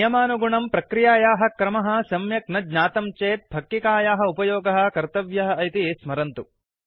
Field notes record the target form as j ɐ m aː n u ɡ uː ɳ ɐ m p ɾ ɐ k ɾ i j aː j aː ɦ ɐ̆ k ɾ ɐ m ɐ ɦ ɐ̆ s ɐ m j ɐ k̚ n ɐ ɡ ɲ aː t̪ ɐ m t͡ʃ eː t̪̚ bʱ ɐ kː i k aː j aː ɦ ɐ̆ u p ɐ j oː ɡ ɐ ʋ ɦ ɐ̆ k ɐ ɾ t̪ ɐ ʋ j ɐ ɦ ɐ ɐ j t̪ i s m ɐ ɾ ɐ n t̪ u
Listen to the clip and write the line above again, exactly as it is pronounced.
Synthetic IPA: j ɐ m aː n u ɡ u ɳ ɐ m p ɾ ɐ k ɾ i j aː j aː ɦ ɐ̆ k ɾ ɐ m ɐ ɦ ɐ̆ s ɐ m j ɐ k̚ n ɐ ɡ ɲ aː t̪ ɐ m t͡ʃ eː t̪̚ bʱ ɐ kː i k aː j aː ɦ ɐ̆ u p ɐ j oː ɡ ɐ ɦ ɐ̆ k ɐ ɾ t̪ ɐ ʋ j ɐ ɦ ɐ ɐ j t̪ i s m ɐ ɾ ɐ n t̪ u